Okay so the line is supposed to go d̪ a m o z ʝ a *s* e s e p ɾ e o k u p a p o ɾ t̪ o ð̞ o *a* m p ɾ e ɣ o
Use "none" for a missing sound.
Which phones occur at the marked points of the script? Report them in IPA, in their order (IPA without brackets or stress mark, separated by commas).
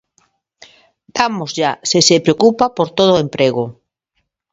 s, e